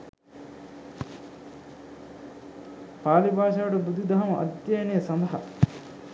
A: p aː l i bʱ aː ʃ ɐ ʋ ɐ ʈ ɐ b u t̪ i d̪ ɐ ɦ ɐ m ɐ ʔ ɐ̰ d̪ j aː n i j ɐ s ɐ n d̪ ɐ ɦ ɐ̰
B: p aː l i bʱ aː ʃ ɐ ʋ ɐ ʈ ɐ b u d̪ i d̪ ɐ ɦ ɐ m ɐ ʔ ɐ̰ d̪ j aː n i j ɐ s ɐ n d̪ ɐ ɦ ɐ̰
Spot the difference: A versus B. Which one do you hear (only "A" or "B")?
B